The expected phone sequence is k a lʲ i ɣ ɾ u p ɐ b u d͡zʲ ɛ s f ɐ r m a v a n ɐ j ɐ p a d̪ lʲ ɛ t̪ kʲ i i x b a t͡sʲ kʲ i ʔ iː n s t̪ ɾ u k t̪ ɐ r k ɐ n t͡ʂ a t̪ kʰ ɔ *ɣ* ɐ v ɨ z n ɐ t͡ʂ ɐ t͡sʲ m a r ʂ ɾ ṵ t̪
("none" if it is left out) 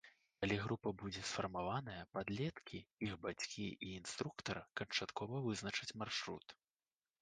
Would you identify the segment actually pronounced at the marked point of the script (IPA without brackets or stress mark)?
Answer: v